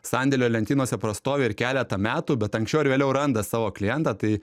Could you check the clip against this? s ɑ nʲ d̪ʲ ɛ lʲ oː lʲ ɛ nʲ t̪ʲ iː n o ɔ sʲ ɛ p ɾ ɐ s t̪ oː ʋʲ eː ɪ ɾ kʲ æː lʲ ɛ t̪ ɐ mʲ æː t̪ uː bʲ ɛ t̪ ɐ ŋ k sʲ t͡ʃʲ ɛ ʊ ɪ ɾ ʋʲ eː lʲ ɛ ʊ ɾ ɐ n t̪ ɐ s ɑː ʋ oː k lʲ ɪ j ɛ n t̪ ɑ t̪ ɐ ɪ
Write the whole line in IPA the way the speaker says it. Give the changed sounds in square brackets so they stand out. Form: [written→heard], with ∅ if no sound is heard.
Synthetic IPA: s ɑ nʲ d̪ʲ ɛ lʲ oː lʲ ɛ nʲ t̪ʲ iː n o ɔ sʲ ɛ p ɾ ɐ s t̪ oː ʋʲ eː ɪ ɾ kʲ æː lʲ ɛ t̪ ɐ mʲ æː t̪ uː bʲ ɛ t̪ ɐ ŋ k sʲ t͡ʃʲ ɛ ʊ ɪ ɾ ʋʲ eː lʲ ɛ ʊ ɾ ɐ n [t̪→d̪] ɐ s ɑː ʋ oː k lʲ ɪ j ɛ n t̪ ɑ t̪ ɐ ɪ